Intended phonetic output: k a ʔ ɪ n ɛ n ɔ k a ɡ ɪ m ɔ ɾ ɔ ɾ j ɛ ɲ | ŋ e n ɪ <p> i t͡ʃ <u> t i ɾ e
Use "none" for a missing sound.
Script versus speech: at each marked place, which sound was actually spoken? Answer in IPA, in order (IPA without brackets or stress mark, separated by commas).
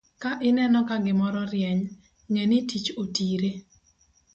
t, o